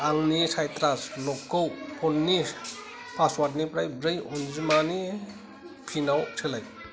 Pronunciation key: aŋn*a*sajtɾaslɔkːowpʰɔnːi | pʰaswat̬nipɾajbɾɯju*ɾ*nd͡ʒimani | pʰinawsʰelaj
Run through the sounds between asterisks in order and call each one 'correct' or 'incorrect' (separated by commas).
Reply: incorrect, incorrect